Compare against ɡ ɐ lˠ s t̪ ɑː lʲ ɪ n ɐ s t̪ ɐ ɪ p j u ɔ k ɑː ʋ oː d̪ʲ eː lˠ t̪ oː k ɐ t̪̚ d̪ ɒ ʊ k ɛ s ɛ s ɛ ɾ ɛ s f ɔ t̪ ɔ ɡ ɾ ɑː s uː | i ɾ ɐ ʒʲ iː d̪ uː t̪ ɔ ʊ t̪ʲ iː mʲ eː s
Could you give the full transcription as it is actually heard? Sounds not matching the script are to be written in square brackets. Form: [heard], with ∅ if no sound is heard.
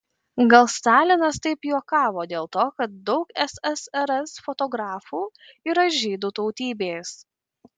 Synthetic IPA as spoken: ɡ ɐ lˠ s t̪ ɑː lʲ ɪ n ɐ s t̪ ɐ ɪ p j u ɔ k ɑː ʋ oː d̪ʲ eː lˠ t̪ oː k ɐ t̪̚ d̪ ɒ ʊ k ɛ s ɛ s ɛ ɾ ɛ s f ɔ t̪ ɔ ɡ ɾ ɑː [f] uː | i ɾ ɐ ʒʲ iː d̪ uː t̪ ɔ ʊ t̪ʲ iː [bʲ] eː s